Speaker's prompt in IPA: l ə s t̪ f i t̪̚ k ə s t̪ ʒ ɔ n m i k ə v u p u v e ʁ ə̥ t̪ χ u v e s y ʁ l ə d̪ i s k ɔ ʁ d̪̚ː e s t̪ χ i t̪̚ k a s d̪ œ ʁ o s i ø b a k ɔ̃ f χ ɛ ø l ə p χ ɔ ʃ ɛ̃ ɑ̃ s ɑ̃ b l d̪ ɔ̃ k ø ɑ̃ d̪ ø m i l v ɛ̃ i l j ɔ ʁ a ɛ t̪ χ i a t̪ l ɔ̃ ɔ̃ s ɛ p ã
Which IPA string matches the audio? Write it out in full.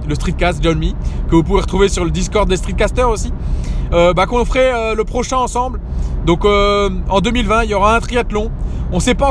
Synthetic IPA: l ə s t̪ χ i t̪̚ k a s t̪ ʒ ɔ n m i k ə v u p u v e ʁ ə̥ t̪ χ u v e s y ʁ l ə d̪ i s k ɔ ʁ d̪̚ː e s t̪ χ i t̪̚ k a s t̪ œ ʁ o s i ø b a k ɔ̃ f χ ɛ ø l ə p χ ɔ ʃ ɛ̃ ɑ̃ s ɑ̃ b l d̪ ɔ̃ k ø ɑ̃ d̪ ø m i l v ɛ̃ i l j ɔ ʁ a ɛ̃ t̪ χ i a t̪ l ɔ̃ ɔ̃ s ɛ p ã